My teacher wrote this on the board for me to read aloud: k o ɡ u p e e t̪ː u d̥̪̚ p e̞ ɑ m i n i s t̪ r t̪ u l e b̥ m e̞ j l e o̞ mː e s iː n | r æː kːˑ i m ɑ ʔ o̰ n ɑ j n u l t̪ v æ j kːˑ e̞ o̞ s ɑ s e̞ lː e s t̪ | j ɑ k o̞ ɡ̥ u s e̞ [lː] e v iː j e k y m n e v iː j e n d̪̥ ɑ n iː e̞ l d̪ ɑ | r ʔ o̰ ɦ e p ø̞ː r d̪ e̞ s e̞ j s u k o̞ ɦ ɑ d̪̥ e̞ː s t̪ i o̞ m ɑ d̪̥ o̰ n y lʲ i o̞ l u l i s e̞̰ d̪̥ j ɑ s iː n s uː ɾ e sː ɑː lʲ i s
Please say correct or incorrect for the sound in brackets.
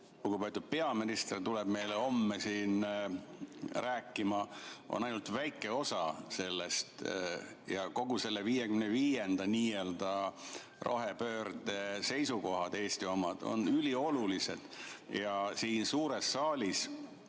correct